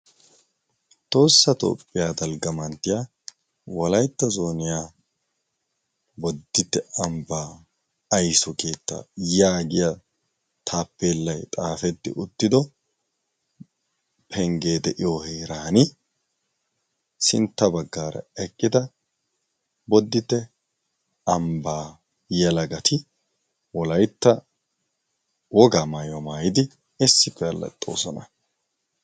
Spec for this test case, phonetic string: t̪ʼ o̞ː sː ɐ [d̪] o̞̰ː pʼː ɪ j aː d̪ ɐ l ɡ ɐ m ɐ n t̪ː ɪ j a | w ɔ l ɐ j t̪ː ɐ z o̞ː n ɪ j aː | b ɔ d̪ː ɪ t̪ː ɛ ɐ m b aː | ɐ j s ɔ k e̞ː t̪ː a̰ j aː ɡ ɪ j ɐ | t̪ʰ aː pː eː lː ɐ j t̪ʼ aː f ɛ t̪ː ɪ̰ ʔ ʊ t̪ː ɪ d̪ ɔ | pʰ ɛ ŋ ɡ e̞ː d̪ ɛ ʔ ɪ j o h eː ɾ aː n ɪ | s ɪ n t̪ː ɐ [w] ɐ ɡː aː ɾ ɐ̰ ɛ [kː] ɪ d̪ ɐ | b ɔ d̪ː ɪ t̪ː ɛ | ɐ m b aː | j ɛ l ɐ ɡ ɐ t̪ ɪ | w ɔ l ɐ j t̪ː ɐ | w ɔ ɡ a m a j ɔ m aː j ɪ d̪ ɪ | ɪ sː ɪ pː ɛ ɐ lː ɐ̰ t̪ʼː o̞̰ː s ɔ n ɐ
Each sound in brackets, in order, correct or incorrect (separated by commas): incorrect, incorrect, incorrect